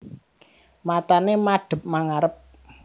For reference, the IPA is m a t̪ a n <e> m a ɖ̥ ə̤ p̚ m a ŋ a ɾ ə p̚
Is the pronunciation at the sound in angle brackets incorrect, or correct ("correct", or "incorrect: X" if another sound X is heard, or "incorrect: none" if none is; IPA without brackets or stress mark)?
correct